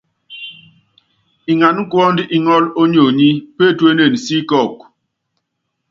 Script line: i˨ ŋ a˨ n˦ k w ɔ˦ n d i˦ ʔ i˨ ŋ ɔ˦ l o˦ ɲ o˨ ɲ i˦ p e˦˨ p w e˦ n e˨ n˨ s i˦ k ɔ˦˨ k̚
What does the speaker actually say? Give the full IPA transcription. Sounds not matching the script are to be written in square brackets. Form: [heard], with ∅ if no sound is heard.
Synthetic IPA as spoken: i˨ ŋ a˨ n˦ k w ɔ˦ n d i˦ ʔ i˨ ŋ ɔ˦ l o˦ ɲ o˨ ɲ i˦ p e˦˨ [t] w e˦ n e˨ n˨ s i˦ k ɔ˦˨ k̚